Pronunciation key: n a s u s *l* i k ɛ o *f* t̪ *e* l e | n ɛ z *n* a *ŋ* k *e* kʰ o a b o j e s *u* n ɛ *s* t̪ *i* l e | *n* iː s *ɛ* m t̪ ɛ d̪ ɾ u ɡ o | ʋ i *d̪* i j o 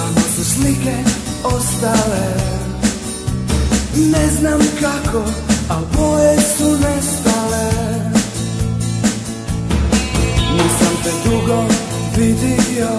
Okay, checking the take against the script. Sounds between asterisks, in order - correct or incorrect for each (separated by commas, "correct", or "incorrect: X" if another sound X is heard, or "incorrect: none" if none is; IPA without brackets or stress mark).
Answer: correct, incorrect: s, incorrect: a, correct, incorrect: m, incorrect: a, correct, correct, incorrect: a, correct, incorrect: a, correct